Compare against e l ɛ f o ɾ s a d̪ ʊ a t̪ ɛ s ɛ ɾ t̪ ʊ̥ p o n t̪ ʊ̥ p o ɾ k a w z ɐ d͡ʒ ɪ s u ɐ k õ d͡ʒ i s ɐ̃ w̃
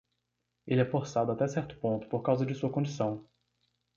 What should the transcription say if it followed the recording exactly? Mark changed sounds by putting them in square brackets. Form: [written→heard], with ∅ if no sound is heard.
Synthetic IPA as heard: e l ɛ f o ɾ s a d̪ ʊ a t̪ ɛ s ɛ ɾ t̪ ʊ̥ p [o→õ] n t̪ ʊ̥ p o ɾ k a w z ɐ d͡ʒ ɪ s u ɐ k õ d͡ʒ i s ɐ̃ w̃